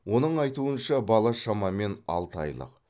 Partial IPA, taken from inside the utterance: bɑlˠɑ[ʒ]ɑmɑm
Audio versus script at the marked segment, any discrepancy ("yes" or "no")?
yes